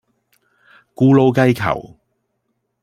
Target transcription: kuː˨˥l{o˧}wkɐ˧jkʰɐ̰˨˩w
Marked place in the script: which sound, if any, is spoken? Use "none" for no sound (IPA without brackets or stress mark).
o˧